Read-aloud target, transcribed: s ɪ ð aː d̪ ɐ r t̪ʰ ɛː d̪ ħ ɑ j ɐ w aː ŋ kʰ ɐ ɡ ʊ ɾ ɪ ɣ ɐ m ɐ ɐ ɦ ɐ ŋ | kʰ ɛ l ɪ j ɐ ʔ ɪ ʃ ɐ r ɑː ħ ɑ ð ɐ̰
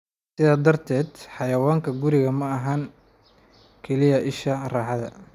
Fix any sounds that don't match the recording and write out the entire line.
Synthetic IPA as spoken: s ɪ ð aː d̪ ɐ r t̪ʰ ɛː d̪ ħ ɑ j ɐ w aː ŋ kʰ ɐ ɡ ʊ ɾ ɪ ɣ ɐ m ɐ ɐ ɦ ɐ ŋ | kʰ ɛ l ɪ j ɐ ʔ ɪ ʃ ɐ r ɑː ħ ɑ ð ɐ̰